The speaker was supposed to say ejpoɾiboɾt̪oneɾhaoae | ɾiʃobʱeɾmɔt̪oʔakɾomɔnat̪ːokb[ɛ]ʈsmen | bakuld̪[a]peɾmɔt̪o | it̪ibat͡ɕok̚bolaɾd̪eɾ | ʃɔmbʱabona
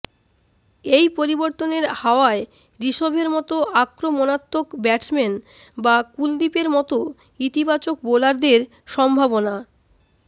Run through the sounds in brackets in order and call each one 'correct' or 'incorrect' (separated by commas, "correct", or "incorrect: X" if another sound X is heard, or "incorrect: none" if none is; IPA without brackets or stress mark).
correct, incorrect: i